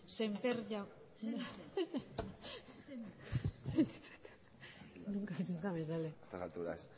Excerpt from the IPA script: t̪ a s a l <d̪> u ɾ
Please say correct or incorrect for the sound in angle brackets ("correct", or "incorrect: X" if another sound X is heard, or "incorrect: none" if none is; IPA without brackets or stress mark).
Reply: incorrect: t̪